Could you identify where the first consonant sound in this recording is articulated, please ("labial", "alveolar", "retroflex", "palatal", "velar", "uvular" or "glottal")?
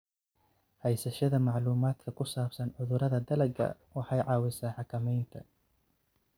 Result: glottal